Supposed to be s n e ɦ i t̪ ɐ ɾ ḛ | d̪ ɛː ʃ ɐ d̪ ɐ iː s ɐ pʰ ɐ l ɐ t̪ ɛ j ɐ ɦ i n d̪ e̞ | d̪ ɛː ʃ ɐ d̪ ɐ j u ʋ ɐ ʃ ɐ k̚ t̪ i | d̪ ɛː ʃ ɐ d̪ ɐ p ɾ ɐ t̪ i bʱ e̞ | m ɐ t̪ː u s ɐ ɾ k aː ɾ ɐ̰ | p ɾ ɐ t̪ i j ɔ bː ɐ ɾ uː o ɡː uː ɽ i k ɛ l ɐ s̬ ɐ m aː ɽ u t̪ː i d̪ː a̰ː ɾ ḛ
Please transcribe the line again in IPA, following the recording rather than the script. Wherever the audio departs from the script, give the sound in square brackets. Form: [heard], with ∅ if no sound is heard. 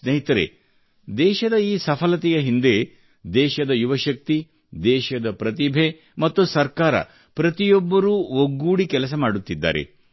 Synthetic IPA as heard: s n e ɦ i t̪ ɐ ɾ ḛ | d̪ ɛː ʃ ɐ d̪ ɐ iː s ɐ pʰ ɐ l ɐ t̪ ɛ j ɐ ɦ i n d̪ e̞ | d̪ ɛː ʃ ɐ d̪ ɐ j u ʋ ɐ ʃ ɐ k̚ t̪ i | d̪ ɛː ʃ ɐ d̪ ɐ p ɾ ɐ t̪ i bʱ e̞ | m ɐ t̪ː u s ɐ ɾ k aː ɾ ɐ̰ | p ɾ ɐ t̪ i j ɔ bː ɐ ɾ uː o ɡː uː ɽ i k ɛ l ɐ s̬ ɐ m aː ɽ u t̪ː i d̪ː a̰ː ɾ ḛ

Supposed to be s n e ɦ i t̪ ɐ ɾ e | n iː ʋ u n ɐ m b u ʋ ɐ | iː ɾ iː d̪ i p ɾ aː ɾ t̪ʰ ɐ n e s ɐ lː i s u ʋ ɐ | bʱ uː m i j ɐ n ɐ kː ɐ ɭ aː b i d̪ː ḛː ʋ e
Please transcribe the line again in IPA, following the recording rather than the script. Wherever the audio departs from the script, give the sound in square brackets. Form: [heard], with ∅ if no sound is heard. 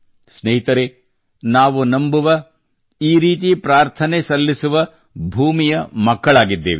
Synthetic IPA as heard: s n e ɦ i t̪ ɐ ɾ e | n [aː] ʋ u n ɐ m b u ʋ ɐ | iː ɾ iː [t̪] i p ɾ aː ɾ t̪ʰ ɐ n e s ɐ lː i s u ʋ ɐ | bʱ uː m i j ɐ [m] ɐ kː ɐ ɭ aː [ɡ] i d̪ː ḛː ʋ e

